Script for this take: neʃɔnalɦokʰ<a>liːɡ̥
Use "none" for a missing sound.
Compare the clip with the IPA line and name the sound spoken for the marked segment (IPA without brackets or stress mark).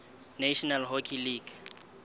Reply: i